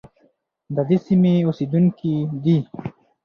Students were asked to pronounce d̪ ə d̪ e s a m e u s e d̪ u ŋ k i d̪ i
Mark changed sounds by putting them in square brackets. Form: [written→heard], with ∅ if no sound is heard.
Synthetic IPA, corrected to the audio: d̪ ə d̪ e s [a→i] m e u s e d̪ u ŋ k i d̪ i